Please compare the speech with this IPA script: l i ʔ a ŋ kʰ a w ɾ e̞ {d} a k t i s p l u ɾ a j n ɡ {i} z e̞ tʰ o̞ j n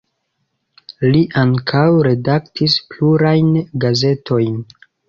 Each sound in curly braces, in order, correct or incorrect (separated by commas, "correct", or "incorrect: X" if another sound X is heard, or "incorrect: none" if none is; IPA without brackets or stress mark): correct, incorrect: a